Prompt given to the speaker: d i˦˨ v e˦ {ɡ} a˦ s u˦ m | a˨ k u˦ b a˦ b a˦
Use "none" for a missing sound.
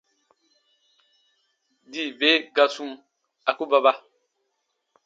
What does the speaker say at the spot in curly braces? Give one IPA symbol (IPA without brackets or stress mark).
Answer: ɡ